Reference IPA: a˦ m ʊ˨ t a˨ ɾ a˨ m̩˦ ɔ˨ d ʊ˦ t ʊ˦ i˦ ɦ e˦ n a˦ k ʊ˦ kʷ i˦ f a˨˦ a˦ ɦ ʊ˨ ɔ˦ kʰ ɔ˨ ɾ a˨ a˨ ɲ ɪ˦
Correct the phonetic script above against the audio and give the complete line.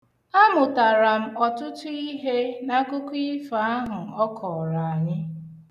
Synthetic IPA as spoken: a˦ m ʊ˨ t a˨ ɾ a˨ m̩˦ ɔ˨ t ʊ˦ t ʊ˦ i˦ ɦ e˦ n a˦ k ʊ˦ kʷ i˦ f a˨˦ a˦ ɦ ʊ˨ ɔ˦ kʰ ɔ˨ ɾ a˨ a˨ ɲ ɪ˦